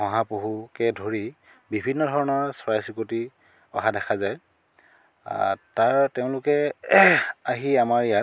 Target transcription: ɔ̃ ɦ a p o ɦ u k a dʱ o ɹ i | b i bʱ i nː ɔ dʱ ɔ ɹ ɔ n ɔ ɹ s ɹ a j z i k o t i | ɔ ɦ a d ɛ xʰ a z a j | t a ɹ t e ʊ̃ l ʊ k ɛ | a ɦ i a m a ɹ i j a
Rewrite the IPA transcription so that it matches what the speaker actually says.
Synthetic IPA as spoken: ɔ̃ ɦ a p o ɦ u k ɛ dʱ o ɹ i | b i bʱ i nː ɔ dʱ ɔ ɹ ɔ n ɔ ɹ s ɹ a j s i k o t i | ɔ ɦ a d ɛ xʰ a z a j | t a ɹ t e ʊ̃ l ʊ k ɛ | a ɦ i a m a ɹ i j a